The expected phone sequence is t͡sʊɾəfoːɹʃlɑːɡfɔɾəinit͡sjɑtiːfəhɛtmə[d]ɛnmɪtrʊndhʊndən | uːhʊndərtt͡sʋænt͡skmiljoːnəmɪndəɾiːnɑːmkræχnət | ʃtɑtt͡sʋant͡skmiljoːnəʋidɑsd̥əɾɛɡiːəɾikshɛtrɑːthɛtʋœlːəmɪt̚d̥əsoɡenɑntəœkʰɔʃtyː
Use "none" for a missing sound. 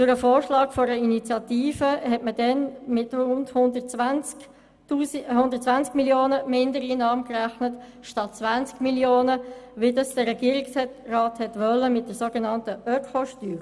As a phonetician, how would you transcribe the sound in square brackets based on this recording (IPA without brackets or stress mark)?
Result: d